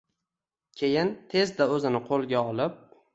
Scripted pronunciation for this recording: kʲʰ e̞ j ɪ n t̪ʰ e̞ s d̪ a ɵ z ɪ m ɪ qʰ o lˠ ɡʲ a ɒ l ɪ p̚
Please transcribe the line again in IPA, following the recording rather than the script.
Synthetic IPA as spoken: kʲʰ e̞ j ɪ n t̪ʰ e̞ z d̪ a ɵ z ɪ n ɪ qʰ o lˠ ɡʲ a ɒ l ɪ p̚